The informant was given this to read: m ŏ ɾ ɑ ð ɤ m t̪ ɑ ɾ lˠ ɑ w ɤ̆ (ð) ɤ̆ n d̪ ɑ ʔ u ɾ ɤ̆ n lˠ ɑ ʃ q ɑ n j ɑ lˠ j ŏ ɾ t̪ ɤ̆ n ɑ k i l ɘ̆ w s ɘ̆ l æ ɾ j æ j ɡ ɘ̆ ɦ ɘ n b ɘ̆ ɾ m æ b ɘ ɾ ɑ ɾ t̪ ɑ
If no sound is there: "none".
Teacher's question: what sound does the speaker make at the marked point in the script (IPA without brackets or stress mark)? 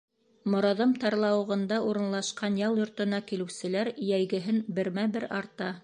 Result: ʁ